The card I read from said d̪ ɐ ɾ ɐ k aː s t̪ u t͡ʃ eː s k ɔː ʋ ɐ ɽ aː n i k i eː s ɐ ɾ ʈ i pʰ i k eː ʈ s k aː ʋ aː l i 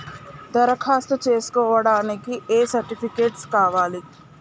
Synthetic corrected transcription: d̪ ɐ ɾ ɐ kʰ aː s t̪ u t͡ʃ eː s k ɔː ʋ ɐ ɽ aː n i k i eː s ɐ ɾ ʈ i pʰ i k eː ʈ s k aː ʋ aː l i